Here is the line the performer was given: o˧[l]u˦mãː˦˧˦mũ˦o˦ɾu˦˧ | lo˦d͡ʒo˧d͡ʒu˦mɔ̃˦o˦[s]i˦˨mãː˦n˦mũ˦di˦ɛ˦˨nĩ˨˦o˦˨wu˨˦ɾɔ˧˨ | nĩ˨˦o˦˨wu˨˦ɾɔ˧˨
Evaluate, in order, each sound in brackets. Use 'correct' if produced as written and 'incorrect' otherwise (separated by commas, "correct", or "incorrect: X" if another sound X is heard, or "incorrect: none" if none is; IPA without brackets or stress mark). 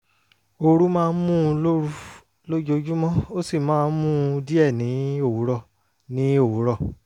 incorrect: ɾ, correct